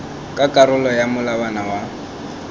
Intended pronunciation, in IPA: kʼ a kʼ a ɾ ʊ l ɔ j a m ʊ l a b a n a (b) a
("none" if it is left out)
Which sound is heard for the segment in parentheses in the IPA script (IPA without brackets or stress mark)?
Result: w